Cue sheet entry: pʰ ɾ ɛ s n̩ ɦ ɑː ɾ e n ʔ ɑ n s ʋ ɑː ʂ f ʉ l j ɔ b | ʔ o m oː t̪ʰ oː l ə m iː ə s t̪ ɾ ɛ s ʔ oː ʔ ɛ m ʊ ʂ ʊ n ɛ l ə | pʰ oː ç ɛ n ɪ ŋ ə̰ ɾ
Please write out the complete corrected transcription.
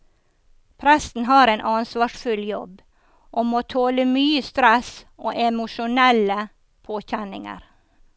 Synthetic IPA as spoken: pʰ ɾ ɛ s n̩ ɦ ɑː ɾ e n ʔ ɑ n s ʋ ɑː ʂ f ʉ l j ɔ b | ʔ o m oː t̪ʰ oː l ə m yː ə s t̪ ɾ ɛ s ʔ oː ʔ ɛ m ʊ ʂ ʊ n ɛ l ə | pʰ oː ç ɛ n ɪ ŋ ə̰ ɾ